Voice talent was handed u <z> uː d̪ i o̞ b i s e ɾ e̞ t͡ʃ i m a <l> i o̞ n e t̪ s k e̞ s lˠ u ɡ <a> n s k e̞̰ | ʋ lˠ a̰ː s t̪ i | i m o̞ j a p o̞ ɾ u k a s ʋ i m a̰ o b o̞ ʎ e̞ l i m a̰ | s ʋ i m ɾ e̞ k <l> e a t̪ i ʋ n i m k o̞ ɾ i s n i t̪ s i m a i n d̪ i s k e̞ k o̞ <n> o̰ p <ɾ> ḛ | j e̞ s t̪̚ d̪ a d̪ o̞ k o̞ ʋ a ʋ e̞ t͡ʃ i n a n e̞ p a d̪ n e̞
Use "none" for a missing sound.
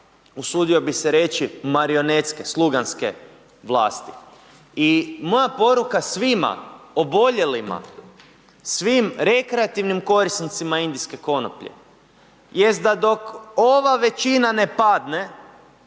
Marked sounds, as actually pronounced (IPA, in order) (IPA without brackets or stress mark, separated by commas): s, ɾ, a, ɾ, n, ʎ